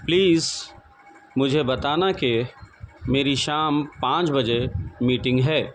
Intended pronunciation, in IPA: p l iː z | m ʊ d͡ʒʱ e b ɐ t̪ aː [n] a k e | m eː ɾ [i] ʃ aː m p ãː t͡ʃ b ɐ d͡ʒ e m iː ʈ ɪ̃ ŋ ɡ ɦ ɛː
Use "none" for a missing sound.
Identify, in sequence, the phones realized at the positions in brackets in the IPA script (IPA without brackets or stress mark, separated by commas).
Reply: n, i